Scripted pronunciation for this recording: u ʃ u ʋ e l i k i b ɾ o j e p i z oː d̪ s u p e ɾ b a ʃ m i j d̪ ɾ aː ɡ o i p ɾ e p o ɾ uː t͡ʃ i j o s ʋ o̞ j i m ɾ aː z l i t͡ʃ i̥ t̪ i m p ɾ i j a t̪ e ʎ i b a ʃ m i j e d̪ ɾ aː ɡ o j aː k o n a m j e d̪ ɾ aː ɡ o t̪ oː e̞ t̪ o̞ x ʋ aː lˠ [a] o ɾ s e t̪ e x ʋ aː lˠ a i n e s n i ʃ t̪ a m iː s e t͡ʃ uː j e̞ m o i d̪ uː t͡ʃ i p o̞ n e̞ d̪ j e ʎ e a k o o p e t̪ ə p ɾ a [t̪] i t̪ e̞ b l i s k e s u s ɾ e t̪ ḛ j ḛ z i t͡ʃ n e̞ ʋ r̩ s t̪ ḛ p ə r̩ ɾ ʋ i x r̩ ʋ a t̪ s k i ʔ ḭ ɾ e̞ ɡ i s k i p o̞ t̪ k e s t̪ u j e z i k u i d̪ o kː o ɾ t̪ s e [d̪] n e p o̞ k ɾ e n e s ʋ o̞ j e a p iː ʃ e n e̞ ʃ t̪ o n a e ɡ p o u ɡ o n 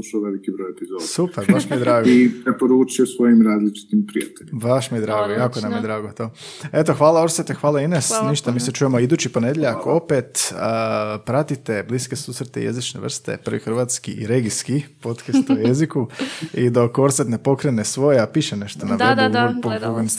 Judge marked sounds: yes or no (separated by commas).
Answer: yes, yes, no